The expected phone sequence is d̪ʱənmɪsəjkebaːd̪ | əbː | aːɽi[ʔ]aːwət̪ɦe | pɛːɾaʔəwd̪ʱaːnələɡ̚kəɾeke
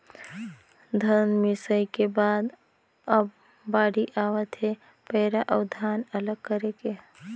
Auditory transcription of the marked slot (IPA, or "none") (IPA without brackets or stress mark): ʔ